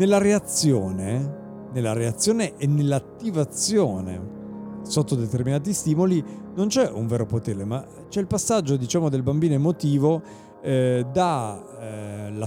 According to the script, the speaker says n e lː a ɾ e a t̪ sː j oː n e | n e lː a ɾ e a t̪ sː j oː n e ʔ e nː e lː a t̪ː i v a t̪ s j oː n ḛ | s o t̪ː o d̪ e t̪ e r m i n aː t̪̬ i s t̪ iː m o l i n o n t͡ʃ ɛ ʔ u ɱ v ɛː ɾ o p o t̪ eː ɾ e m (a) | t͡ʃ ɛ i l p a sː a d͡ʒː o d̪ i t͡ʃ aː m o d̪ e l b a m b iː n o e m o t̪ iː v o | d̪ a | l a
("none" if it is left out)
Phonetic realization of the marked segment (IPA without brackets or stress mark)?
a